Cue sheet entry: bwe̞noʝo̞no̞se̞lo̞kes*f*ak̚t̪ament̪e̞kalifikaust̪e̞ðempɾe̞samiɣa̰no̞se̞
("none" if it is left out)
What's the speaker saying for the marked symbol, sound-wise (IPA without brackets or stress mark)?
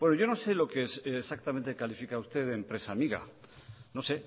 s